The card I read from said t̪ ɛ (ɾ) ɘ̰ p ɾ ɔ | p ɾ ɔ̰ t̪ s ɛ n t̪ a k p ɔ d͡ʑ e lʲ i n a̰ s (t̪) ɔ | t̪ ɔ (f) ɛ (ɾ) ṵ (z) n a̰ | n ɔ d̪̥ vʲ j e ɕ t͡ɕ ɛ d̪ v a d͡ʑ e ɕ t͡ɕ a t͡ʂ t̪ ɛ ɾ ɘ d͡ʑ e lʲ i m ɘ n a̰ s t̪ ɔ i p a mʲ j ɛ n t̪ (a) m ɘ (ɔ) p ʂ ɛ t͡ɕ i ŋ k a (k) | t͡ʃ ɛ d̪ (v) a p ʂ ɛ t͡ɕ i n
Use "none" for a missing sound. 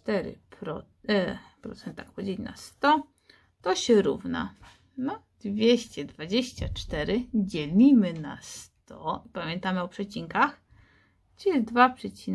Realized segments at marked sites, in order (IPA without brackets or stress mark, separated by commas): ɾ, t̪, ɕ, ɾ, v, a, ɔ, x, v